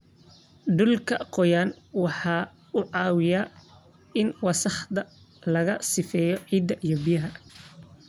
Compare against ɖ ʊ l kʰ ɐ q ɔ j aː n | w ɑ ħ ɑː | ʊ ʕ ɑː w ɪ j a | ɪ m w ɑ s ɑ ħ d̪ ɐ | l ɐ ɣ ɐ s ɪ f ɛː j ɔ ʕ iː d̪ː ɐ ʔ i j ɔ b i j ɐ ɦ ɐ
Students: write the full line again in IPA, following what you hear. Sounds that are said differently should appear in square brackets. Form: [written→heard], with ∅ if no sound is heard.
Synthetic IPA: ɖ ʊ l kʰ ɐ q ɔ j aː n | w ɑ ħ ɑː | ʊ ʕ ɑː w ɪ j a | ɪ [m→n] w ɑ s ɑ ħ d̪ ɐ | l ɐ ɣ ɐ s ɪ f ɛː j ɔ ʕ iː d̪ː ɐ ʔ i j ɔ b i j ɐ ɦ ɐ